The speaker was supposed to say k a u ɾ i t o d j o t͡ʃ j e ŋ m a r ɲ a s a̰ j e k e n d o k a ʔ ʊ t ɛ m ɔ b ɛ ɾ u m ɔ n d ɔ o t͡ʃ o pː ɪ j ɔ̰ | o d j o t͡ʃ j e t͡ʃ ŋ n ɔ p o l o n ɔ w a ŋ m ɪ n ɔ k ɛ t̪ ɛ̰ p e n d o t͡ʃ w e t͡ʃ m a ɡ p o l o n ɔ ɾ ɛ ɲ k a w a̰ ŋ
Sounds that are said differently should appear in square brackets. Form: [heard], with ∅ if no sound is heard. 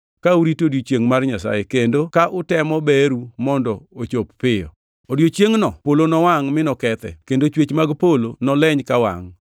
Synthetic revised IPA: k a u ɾ i t o d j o t͡ʃ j e ŋ m a r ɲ a s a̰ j e k e n d o k a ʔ ʊ t ɛ m ɔ b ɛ ɾ u m ɔ n d ɔ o t͡ʃ o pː ɪ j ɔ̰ | o d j o t͡ʃ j e [∅] ŋ n ɔ p o l o n ɔ w a ŋ m ɪ n ɔ k ɛ t̪ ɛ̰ [k] e n d o t͡ʃ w e t͡ʃ m a ɡ p o l o n ɔ [l] ɛ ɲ k a w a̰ ŋ